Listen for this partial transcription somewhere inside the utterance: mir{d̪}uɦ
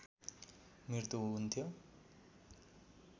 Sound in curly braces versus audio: incorrect: t̪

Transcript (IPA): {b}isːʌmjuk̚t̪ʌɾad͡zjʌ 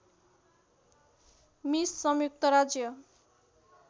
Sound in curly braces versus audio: incorrect: m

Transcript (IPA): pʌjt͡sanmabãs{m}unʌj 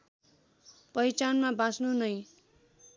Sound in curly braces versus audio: incorrect: n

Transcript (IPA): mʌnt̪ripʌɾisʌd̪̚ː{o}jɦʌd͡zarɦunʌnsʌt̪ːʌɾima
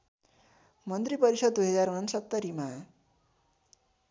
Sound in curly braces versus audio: incorrect: u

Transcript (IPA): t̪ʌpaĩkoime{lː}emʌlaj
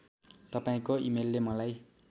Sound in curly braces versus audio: correct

